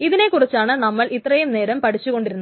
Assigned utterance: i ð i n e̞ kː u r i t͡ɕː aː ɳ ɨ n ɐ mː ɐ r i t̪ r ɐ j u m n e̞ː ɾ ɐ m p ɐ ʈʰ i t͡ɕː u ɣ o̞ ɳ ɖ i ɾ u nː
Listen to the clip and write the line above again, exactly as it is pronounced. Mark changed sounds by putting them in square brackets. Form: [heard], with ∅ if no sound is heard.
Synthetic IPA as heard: i ð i n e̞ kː u r i t͡ɕː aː ɳ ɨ n ɐ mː ɐ [ɭ] i t̪ r ɐ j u m n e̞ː ɾ ɐ m p ɐ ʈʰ i t͡ɕː u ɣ o̞ ɳ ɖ i ɾ u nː